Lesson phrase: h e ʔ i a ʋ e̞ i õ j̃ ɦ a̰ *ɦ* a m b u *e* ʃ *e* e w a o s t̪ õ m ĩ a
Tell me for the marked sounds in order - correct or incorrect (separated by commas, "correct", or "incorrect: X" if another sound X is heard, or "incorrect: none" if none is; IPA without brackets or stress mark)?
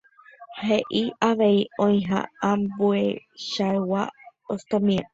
incorrect: none, correct, incorrect: a